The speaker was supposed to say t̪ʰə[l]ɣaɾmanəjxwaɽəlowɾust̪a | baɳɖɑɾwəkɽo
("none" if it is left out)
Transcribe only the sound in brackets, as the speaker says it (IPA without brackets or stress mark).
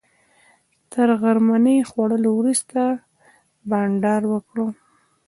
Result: ɾ